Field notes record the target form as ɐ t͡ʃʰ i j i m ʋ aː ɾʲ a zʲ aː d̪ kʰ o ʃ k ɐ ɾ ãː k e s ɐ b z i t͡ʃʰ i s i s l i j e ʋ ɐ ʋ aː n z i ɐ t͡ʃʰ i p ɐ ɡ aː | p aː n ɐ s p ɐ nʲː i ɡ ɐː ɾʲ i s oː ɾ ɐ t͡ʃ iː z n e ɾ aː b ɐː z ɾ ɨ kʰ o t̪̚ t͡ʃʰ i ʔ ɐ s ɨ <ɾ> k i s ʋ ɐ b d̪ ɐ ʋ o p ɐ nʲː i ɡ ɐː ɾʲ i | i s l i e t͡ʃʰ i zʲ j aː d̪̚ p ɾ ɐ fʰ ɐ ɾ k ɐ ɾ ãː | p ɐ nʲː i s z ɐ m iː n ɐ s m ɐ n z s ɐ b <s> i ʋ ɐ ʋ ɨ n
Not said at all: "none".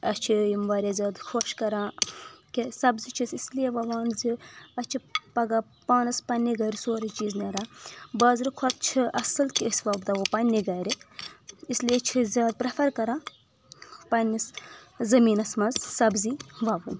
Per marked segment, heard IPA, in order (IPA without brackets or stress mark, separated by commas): l, z